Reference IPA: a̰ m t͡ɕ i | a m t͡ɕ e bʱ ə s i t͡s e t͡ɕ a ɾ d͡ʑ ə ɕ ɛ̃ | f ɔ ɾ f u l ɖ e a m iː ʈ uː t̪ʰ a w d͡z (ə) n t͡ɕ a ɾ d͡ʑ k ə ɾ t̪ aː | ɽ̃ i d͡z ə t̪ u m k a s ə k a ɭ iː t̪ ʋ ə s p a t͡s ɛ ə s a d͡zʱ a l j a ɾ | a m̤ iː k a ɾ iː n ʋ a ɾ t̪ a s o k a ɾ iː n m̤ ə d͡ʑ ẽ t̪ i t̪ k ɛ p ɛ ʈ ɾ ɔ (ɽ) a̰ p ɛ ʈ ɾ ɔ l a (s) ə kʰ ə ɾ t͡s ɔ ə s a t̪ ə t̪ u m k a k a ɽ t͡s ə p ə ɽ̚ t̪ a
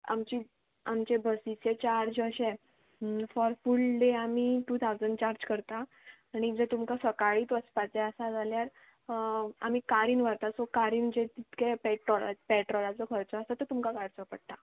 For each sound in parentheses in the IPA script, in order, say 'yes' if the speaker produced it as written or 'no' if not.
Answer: yes, no, no

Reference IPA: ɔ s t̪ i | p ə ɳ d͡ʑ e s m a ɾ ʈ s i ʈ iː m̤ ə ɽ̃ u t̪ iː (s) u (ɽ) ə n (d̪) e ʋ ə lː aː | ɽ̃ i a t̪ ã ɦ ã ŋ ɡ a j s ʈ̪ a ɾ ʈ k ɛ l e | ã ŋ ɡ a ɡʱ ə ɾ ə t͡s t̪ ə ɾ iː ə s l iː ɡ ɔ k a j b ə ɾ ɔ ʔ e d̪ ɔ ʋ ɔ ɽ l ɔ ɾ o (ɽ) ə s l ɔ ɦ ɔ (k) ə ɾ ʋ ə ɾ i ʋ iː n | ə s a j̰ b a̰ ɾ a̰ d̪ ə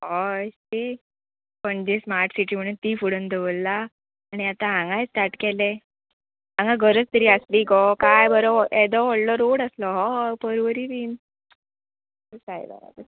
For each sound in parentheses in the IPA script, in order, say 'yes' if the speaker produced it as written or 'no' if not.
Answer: no, yes, yes, yes, no

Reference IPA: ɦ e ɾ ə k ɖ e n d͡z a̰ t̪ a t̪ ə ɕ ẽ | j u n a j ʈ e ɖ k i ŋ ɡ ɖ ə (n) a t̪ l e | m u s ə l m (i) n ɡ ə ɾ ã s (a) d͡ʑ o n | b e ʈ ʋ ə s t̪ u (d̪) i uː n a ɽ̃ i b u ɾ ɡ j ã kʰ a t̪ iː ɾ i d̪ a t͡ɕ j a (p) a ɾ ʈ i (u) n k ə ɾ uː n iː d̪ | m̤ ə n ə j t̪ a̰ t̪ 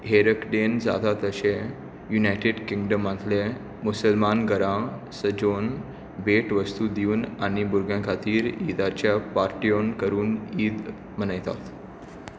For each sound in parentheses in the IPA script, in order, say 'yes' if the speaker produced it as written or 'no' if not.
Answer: no, no, no, yes, yes, no

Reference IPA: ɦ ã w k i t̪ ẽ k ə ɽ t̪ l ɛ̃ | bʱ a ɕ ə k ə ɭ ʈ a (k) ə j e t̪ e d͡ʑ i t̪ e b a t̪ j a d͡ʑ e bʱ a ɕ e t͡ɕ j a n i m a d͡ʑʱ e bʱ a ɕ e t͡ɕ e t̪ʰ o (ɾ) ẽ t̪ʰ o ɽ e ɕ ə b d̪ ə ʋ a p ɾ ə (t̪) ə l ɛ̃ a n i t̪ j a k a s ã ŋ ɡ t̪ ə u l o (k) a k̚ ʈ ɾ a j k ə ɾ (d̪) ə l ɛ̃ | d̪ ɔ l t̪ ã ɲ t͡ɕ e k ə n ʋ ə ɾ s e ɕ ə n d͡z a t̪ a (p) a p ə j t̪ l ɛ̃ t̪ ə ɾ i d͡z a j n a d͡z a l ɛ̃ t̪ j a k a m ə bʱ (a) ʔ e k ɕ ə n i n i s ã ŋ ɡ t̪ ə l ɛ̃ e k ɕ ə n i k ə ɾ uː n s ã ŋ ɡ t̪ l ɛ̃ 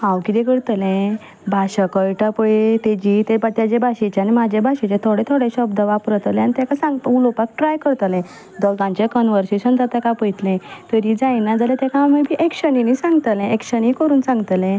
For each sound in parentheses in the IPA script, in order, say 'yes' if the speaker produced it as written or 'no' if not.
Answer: no, no, yes, no, no, no, no

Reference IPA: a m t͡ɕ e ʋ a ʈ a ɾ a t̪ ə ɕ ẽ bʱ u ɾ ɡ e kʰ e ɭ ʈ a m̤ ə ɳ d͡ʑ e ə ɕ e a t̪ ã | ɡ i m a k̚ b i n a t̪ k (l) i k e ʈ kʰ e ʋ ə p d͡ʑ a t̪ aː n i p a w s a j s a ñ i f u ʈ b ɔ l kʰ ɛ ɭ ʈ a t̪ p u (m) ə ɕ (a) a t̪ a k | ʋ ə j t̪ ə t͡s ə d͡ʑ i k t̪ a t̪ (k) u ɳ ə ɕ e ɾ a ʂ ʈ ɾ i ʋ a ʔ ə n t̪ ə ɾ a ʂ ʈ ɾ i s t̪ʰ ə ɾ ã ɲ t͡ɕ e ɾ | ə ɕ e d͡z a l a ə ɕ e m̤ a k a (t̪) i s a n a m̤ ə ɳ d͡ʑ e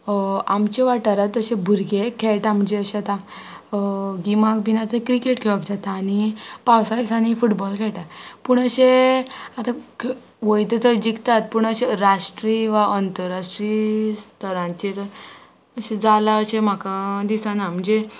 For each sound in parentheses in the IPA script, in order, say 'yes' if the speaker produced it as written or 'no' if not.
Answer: no, no, no, no, no

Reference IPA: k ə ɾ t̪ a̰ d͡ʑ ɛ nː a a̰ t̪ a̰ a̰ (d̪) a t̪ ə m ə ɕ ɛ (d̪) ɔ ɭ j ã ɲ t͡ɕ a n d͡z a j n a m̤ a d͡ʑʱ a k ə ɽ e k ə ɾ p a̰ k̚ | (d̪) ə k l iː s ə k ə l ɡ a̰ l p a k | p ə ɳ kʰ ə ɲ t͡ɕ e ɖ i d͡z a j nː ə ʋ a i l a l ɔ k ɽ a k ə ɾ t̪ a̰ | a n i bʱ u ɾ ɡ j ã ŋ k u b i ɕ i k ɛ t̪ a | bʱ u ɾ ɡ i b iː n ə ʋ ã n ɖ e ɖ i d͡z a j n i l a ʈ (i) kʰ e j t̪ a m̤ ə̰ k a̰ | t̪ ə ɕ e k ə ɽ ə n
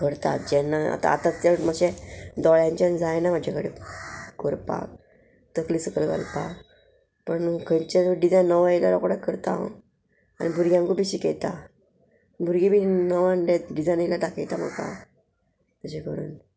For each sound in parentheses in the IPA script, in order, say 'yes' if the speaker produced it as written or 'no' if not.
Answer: no, yes, no, no

